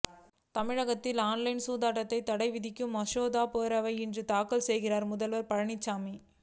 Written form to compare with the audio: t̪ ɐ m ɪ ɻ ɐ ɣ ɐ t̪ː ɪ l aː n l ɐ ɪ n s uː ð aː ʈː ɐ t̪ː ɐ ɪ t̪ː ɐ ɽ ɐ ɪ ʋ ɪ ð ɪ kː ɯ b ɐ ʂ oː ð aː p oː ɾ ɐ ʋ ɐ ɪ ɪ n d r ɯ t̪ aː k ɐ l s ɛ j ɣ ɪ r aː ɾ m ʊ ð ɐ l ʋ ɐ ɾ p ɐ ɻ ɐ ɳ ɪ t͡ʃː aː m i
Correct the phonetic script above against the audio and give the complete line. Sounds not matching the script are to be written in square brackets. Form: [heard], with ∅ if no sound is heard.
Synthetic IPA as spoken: t̪ ɐ m ɪ ɻ ɐ ɣ ɐ t̪ː ɪ l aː n l ɐ ɪ n s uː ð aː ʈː ɐ t̪ː ɐ ɪ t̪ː ɐ ɽ ɐ ɪ ʋ ɪ ð ɪ kː ɯ [m] ɐ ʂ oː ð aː p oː ɾ ɐ ʋ ɐ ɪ ɪ n d r ɯ t̪ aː k ɐ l s ɛ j ɣ ɪ r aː ɾ m ʊ ð ɐ l ʋ ɐ ɾ p ɐ ɻ ɐ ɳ ɪ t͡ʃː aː m i